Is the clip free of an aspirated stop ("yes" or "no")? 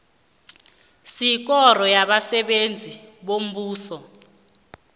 yes